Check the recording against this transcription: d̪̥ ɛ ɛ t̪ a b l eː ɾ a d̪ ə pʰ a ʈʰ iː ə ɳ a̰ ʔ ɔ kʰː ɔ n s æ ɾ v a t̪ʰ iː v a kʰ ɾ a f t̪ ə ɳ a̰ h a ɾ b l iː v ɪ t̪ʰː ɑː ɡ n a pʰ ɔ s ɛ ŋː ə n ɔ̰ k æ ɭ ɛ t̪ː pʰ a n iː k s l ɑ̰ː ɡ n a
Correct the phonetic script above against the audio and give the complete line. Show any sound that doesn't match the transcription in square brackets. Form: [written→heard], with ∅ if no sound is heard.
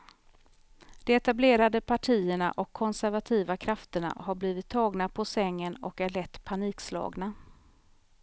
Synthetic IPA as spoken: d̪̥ ɛ ɛ t̪ a b l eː ɾ a d̪ ə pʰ a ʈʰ iː ə ɳ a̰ ʔ ɔ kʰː ɔ n s æ ɾ v a t̪ʰ iː v a kʰ ɾ a f t̪ ə ɳ a̰ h a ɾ b l iː v ɪ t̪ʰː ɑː ɡ n a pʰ ɔ s ɛ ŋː ə n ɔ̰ k æ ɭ ɛ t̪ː pʰ a n iː k s l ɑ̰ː ɡ n a